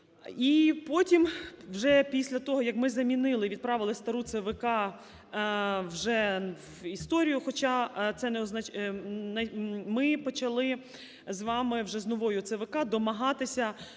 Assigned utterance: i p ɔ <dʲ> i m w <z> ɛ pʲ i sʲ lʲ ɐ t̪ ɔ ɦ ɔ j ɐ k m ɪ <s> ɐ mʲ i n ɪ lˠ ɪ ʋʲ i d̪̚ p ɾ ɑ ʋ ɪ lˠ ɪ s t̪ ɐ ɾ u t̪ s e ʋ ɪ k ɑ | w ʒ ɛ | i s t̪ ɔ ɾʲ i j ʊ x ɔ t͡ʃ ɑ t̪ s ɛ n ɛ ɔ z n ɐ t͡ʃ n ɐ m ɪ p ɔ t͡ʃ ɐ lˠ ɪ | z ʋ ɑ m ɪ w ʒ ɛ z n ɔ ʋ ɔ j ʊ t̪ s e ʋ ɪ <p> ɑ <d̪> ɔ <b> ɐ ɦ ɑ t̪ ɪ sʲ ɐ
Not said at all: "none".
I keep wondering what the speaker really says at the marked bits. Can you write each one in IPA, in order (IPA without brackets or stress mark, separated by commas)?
tʲ, ʒ, z, k, d̪, m